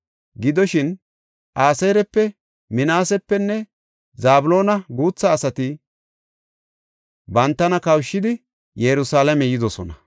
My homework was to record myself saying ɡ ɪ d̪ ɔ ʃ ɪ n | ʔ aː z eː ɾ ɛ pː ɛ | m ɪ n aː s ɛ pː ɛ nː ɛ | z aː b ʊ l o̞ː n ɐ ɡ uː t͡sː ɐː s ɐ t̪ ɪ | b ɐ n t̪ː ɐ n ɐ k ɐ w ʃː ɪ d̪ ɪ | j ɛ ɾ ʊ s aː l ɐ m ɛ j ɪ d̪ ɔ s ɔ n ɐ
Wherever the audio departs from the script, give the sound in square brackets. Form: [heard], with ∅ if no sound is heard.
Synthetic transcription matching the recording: ɡ ɪ d̪ ɔ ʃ ɪ n | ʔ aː [s] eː ɾ ɛ pː ɛ | m ɪ n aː s ɛ pː ɛ nː ɛ | z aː b ʊ l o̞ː n ɐ ɡ uː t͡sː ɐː s ɐ t̪ ɪ | b ɐ n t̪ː ɐ n ɐ k ɐ w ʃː ɪ d̪ ɪ | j ɛ ɾ ʊ s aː l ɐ m ɛ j ɪ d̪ ɔ s ɔ n ɐ